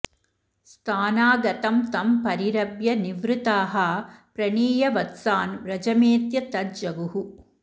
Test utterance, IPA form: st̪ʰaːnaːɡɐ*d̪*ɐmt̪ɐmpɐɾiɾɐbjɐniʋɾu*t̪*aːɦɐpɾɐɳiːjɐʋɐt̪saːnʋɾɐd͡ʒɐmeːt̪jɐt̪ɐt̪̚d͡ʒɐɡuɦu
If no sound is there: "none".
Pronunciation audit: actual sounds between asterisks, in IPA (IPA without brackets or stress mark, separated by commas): t̪, t̪